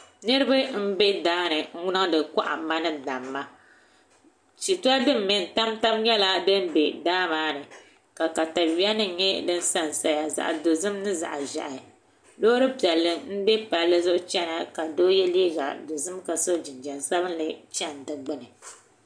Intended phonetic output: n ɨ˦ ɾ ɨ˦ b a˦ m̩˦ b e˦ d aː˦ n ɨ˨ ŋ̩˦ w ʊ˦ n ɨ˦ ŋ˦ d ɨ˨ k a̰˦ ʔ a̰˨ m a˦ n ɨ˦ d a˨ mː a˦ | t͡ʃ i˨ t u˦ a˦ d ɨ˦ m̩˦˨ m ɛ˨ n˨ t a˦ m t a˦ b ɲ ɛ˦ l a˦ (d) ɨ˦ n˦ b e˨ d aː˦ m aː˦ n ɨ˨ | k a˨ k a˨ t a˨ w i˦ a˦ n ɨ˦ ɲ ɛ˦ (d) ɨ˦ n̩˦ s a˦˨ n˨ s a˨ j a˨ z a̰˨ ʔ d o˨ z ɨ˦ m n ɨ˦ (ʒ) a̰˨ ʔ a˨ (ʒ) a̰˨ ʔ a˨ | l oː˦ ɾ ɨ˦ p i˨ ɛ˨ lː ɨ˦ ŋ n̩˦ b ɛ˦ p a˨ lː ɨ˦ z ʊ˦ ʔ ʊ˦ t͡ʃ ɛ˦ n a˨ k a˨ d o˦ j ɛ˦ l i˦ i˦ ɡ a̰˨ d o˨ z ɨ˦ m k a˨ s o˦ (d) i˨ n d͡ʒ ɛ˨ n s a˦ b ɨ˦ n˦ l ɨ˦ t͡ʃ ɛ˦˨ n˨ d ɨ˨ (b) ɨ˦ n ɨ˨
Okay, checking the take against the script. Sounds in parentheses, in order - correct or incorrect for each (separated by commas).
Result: correct, correct, incorrect, correct, incorrect, incorrect